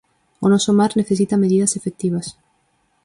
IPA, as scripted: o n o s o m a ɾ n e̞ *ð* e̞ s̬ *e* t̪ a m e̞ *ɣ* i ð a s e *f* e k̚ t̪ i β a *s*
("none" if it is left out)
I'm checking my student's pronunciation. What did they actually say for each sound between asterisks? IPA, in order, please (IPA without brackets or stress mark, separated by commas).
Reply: θ, i, ð, f, s